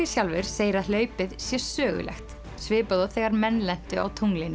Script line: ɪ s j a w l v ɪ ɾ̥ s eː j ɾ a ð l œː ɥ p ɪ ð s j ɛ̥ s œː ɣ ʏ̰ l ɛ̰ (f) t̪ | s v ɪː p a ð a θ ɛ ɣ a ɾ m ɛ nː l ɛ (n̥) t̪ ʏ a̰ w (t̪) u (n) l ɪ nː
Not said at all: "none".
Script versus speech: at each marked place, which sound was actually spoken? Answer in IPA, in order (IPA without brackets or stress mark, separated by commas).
x, n̥, t̪ʰ, ŋ